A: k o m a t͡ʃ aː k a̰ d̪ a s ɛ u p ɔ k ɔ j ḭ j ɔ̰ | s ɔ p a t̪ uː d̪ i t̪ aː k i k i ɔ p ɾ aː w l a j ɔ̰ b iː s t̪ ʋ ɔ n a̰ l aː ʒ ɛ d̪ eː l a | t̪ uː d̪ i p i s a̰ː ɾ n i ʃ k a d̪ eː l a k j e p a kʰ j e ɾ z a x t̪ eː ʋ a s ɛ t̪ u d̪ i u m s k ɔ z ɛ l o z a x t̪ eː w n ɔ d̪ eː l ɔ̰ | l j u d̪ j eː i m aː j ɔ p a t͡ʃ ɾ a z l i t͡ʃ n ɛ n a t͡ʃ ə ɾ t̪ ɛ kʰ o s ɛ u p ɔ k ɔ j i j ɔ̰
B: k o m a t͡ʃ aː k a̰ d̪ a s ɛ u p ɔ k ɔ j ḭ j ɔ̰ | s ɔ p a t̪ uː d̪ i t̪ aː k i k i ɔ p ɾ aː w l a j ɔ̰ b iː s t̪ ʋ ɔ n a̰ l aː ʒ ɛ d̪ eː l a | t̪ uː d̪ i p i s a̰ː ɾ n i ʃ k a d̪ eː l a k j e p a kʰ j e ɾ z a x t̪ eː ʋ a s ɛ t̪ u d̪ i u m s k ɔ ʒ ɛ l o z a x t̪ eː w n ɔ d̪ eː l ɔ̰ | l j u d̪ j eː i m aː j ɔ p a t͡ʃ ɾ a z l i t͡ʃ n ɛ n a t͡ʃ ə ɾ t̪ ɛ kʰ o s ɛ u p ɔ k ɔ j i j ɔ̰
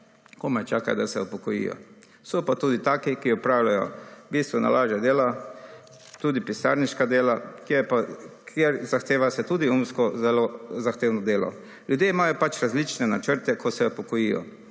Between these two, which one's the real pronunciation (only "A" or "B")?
A